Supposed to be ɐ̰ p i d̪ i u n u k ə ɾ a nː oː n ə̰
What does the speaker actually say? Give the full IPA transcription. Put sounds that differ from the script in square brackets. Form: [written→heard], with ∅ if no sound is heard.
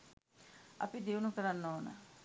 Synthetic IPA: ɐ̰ p i d̪ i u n u k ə ɾ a nː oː n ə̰